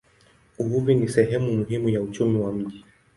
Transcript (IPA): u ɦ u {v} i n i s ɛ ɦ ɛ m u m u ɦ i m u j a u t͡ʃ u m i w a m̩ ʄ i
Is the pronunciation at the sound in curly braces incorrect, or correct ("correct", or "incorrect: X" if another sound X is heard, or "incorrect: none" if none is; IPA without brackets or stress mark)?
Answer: correct